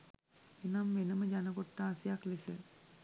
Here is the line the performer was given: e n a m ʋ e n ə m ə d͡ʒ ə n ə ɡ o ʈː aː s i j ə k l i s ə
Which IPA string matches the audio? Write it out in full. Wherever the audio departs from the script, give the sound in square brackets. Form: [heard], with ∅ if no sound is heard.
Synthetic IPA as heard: e n a m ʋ e n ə m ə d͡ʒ [a] n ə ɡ o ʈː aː s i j [a] k l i s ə